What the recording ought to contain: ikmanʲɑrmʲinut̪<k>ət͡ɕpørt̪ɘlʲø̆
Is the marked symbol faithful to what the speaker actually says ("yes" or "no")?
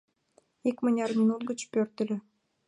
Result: no